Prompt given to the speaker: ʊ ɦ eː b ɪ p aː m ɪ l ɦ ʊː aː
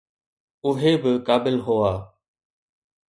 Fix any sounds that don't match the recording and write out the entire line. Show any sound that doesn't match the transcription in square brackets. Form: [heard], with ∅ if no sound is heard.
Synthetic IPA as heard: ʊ ɦ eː b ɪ [k] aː [b] ɪ l ɦ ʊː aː